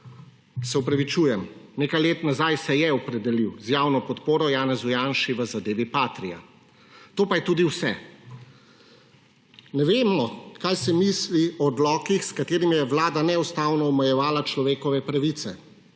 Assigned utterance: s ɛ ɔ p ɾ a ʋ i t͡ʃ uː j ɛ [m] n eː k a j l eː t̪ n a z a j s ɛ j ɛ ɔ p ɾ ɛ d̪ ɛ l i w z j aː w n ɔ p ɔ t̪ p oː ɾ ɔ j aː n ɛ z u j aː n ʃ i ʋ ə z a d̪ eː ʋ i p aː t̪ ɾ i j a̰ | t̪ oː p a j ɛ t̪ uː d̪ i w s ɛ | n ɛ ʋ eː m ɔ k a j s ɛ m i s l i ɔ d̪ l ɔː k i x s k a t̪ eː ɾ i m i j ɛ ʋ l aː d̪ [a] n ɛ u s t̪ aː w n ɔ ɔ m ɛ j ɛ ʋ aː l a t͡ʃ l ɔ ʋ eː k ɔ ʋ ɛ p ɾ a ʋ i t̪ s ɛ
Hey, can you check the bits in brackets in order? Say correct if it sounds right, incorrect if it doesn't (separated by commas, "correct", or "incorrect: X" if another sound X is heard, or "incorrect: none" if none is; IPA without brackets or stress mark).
correct, correct